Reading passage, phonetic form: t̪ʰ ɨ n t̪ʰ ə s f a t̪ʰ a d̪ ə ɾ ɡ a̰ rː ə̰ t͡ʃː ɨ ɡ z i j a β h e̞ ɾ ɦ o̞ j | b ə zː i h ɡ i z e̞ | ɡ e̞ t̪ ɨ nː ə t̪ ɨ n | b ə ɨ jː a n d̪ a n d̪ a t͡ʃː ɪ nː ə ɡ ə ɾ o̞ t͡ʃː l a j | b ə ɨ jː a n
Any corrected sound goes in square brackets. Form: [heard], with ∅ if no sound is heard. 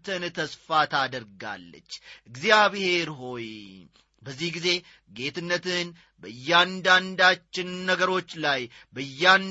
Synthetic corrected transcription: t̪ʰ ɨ n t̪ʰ ə s f a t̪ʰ a d̪ ə ɾ ɡ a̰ [lː] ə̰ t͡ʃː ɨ ɡ z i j a β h e̞ ɾ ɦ o̞ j | b ə zː i h ɡ i z e̞ | ɡ e̞ t̪ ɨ nː ə t̪ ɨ n | b ə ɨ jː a n d̪ a n d̪ a t͡ʃː ɪ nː ə ɡ ə ɾ o̞ t͡ʃː l a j | b ə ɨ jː a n